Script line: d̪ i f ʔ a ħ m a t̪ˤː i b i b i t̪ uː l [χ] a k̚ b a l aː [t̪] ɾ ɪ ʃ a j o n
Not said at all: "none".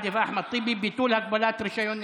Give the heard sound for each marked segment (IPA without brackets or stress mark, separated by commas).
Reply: h, t̪